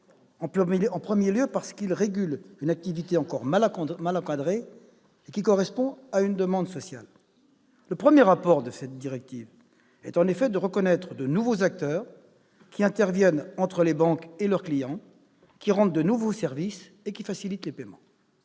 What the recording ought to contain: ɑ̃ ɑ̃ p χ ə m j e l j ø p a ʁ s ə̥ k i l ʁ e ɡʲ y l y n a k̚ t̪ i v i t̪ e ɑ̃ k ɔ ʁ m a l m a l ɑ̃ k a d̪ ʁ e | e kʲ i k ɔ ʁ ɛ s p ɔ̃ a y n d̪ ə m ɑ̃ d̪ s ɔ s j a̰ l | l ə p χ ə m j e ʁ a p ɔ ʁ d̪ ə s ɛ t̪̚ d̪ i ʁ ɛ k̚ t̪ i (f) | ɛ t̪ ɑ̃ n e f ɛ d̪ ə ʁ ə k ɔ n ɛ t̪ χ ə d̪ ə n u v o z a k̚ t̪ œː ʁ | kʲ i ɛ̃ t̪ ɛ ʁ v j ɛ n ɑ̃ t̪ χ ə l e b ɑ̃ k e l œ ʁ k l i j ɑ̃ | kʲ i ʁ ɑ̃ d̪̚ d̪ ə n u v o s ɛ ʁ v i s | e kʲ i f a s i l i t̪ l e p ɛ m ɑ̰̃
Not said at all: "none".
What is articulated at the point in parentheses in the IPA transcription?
v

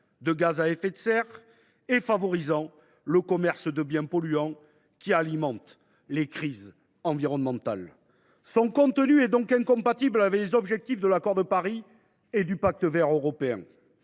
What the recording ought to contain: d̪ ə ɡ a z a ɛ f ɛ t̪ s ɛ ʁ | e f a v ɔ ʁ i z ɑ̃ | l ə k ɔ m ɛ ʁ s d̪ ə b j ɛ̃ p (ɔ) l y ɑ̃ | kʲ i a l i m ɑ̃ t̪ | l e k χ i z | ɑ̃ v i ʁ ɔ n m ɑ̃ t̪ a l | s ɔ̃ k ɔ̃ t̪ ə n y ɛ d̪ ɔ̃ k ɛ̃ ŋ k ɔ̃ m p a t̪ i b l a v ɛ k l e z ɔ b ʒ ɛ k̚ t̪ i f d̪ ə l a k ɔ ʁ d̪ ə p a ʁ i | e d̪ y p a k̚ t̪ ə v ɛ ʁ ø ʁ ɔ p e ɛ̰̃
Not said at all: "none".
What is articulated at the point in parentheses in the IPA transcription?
ɔ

